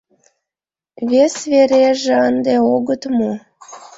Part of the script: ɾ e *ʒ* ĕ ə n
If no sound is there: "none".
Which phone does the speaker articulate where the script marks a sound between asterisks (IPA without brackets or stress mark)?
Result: ʒ